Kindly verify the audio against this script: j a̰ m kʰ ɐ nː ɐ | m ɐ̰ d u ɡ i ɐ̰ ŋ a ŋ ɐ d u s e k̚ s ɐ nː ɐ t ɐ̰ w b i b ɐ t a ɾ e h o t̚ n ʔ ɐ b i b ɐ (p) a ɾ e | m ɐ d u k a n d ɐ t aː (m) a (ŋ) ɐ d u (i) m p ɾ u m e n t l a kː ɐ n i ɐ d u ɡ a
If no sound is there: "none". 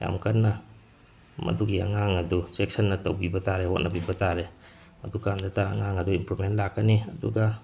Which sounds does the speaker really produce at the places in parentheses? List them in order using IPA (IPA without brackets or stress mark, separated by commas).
t, ŋ, ŋ, i